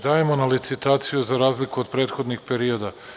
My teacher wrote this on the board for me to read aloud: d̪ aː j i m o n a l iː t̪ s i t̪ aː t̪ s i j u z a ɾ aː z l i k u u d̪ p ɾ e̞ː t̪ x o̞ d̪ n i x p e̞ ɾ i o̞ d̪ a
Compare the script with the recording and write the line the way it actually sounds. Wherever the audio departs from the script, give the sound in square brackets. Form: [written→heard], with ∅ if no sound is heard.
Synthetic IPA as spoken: d̪ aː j [i→e] m o n a l [iː→i] t̪ s i t̪ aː t̪ s i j u z a ɾ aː z l i k u [u→o] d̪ p ɾ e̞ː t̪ x o̞ d̪ n i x p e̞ ɾ i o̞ d̪ a